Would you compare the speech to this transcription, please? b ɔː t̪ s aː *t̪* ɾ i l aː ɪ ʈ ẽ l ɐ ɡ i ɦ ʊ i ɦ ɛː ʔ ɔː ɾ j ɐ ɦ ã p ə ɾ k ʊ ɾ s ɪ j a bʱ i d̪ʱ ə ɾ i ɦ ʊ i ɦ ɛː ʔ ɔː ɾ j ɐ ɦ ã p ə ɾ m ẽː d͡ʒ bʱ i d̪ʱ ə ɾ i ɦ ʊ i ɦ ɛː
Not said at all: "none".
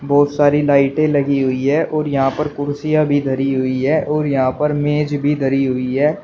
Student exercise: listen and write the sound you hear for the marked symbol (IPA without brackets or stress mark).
none